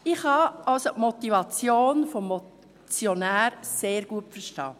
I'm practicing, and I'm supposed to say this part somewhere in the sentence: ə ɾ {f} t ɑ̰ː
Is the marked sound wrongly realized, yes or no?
yes